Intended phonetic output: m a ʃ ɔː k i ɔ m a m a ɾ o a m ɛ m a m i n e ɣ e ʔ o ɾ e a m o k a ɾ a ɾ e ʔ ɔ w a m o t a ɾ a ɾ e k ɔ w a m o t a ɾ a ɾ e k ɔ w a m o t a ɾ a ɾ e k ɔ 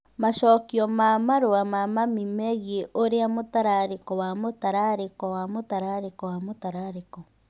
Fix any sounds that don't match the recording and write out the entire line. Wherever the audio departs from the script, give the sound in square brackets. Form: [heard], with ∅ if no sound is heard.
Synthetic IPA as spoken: m a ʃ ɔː k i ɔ m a m a ɾ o a m [a] m a m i [m] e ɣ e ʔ o ɾ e a m o [t] a ɾ a ɾ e [k] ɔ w a m o t a ɾ a ɾ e k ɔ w a m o t a ɾ a ɾ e k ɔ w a m o t a ɾ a ɾ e k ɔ